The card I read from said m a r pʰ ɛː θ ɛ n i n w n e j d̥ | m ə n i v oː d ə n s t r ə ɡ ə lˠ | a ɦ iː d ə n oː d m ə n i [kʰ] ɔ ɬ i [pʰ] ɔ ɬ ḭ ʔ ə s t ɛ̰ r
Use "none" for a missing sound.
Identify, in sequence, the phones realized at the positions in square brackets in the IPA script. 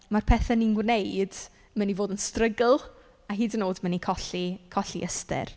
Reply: kʰ, kʰ

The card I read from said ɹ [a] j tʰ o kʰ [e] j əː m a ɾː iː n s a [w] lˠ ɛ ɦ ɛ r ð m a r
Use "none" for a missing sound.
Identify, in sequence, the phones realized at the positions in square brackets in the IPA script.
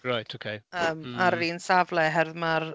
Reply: a, e, v

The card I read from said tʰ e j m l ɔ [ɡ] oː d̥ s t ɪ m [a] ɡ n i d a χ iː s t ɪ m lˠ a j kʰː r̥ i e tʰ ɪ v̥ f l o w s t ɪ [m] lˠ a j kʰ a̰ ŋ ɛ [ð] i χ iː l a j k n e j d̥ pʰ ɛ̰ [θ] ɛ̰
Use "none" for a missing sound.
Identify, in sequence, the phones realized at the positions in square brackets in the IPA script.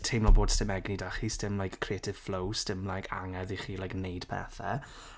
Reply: b, ɛ, m, ð, θ

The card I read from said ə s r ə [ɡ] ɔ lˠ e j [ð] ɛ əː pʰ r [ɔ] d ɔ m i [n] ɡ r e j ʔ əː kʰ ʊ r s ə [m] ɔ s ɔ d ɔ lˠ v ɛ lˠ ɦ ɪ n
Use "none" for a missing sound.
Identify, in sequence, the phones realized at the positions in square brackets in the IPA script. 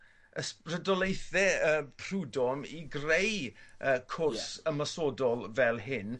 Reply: d, θ, u, none, m

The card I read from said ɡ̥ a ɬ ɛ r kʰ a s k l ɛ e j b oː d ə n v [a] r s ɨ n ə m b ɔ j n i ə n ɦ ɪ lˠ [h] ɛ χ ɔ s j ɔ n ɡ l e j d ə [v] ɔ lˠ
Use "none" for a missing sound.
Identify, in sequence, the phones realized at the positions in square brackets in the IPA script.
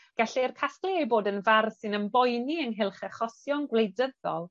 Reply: a, χ, ð

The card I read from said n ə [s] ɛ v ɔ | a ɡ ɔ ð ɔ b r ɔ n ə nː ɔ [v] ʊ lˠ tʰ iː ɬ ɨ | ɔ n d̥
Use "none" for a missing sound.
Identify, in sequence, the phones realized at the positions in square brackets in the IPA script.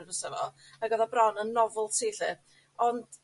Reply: s, v

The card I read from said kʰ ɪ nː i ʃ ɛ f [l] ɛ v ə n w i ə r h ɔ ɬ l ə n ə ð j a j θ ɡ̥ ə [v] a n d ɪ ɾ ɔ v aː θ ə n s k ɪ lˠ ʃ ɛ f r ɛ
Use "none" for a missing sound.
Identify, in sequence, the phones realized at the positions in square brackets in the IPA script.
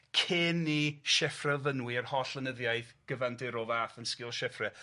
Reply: r, v

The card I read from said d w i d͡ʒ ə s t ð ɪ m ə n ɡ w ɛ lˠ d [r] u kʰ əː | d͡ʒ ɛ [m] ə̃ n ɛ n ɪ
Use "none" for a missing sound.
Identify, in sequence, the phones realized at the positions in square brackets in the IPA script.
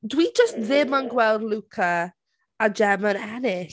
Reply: l, m

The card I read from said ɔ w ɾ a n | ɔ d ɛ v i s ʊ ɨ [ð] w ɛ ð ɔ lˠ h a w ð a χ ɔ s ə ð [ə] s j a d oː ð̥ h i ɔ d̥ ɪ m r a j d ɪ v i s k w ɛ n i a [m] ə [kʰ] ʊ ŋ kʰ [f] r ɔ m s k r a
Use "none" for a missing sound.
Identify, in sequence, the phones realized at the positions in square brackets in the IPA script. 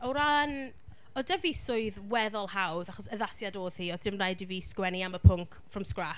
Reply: ð, a, m, pʰ, f

